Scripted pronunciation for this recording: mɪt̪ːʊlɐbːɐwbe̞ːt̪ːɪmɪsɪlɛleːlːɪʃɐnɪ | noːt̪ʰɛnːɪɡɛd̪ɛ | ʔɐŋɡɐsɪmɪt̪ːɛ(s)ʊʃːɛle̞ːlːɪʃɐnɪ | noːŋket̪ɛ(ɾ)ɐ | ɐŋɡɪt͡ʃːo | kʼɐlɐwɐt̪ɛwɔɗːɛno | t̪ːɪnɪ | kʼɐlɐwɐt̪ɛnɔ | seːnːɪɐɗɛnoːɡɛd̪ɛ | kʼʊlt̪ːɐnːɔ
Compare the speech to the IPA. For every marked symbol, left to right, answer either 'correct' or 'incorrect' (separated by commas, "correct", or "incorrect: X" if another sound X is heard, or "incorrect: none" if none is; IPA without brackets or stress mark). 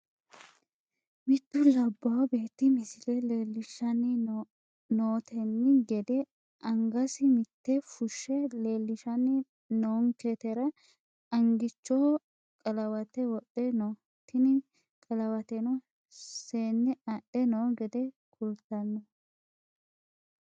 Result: incorrect: f, correct